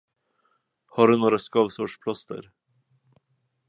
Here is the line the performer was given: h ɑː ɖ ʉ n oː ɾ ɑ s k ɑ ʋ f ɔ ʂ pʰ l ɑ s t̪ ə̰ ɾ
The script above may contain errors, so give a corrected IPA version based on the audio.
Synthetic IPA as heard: h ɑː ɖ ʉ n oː ɾ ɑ s k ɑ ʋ s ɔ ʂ pʰ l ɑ s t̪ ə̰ ɾ